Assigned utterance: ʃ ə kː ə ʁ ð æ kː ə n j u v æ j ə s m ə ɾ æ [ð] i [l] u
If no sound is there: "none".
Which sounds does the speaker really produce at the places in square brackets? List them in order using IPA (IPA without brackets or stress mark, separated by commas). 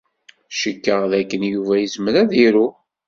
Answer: ð, ɾ